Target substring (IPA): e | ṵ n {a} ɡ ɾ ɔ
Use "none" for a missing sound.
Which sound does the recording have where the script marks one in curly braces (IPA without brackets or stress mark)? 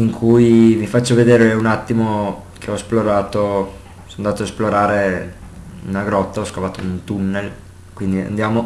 a